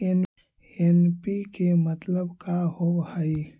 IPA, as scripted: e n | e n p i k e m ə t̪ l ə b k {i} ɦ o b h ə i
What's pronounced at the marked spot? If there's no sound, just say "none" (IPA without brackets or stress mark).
a